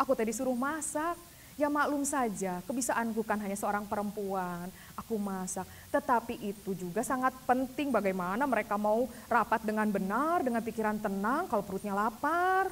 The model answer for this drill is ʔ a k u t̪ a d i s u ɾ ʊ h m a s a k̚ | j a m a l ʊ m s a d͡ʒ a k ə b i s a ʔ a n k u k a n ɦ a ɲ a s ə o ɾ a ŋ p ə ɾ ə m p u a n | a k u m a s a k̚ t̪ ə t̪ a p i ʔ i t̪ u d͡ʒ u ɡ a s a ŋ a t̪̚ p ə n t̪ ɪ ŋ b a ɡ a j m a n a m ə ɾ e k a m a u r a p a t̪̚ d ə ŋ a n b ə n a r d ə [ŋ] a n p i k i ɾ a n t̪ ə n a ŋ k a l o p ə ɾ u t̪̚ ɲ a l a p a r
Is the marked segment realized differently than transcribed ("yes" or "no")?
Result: no